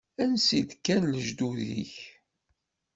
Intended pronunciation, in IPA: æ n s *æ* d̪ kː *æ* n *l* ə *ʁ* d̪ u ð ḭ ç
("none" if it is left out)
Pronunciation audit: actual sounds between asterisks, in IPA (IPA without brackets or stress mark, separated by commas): i, æ, l, ʒ